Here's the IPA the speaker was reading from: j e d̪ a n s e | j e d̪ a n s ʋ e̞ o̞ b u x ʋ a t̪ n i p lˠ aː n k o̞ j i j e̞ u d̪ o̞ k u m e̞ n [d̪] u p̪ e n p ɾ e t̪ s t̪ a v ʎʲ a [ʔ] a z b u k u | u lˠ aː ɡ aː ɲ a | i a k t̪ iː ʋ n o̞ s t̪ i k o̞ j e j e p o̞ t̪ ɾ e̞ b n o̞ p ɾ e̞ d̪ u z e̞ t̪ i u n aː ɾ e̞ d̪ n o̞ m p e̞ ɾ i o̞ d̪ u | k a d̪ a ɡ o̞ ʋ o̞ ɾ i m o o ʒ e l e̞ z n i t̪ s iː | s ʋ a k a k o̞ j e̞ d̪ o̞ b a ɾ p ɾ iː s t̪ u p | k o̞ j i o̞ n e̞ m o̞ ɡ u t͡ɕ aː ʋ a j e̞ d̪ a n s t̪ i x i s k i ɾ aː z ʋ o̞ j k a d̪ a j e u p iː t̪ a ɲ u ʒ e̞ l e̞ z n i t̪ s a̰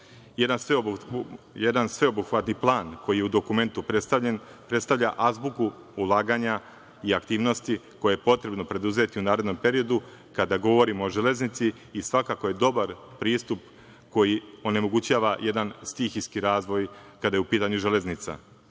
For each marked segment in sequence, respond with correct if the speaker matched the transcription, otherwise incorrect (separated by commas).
incorrect, correct